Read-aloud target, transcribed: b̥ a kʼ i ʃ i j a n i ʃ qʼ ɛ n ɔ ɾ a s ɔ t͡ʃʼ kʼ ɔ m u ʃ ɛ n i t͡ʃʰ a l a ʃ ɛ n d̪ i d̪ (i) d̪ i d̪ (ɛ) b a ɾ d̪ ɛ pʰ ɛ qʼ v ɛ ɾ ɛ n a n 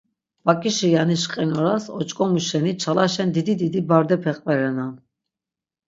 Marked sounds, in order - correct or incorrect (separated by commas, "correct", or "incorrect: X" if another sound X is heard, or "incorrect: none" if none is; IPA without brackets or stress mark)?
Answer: correct, incorrect: i